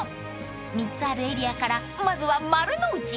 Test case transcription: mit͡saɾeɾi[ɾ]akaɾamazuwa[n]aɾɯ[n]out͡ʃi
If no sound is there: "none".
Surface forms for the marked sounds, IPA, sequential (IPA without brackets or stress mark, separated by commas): none, m, n